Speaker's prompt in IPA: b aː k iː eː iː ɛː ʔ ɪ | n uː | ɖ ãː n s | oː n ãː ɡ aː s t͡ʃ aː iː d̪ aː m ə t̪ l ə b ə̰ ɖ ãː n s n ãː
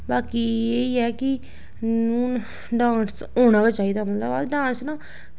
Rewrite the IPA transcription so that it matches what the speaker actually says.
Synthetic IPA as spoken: b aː k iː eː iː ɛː k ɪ | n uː | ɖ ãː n s | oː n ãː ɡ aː t͡ʃ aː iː d̪ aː m ə t̪ l ə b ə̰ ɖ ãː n s n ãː